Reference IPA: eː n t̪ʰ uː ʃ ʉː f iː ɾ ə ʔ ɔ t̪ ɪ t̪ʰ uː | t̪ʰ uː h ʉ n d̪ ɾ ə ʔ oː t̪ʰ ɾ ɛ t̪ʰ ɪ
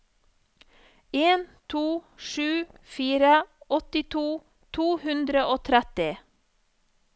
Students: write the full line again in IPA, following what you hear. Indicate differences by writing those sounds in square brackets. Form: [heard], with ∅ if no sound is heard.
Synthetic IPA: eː n t̪ʰ uː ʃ ʉː f iː ɾ ə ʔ ɔ t̪ ɪ t̪ʰ uː | t̪ʰ uː h ʉ n d̪ ɾ ə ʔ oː t̪ʰ ɾ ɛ [t̪] ɪ